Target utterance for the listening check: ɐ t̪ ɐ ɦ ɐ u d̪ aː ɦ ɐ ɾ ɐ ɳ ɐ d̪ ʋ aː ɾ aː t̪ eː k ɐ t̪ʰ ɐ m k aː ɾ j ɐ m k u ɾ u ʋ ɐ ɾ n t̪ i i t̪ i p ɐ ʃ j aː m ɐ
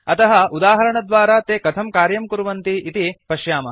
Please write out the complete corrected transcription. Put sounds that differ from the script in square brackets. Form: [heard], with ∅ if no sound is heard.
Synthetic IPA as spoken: ɐ t̪ ɐ ɦ ɐ u d̪ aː ɦ ɐ ɾ ɐ ɳ ɐ d̪ ʋ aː ɾ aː t̪ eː k ɐ t̪ʰ ɐ m k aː ɾ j ɐ m k u ɾ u ʋ ɐ [∅] n t̪ i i t̪ i p ɐ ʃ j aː m ɐ